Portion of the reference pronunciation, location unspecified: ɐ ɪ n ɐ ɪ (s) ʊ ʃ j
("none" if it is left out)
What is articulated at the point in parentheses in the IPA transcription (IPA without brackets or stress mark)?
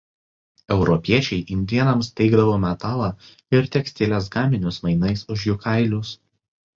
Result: s